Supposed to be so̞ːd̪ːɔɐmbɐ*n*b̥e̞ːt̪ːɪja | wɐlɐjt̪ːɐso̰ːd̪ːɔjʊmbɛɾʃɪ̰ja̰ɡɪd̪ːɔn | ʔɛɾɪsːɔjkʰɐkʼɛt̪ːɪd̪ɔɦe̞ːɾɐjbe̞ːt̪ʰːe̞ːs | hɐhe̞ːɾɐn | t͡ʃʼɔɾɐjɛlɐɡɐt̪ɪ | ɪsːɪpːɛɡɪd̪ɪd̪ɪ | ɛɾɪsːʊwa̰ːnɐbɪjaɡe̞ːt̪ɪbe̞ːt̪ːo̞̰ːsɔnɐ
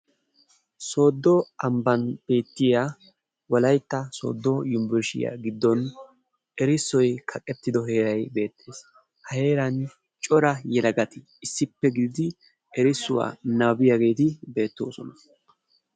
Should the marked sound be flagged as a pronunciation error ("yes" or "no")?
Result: no